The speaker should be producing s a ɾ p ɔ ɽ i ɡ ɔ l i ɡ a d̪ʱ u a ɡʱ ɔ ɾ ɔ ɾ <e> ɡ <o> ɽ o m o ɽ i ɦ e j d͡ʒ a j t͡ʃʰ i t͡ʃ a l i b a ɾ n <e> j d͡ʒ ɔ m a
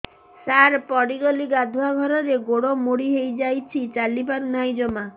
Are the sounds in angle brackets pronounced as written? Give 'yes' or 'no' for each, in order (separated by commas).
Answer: yes, yes, no